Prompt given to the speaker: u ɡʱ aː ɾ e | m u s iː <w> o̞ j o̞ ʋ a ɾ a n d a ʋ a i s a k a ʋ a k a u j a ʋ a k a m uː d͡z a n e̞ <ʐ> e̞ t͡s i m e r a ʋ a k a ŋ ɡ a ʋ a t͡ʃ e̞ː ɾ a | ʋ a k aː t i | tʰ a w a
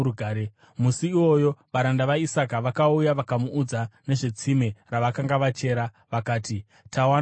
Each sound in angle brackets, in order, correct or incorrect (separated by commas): correct, correct